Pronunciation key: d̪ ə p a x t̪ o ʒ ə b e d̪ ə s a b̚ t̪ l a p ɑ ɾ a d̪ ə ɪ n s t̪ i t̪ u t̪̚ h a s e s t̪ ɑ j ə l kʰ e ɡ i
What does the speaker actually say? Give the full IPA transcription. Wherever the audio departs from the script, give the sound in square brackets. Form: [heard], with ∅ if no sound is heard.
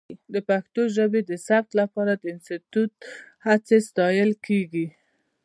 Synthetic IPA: d̪ ə p a x t̪ o ʒ ə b e d̪ ə s a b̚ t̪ l a p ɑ ɾ a d̪ ə ɪ n s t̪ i t̪ u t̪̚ h a [t͡s] e s t̪ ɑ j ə l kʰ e ɡ i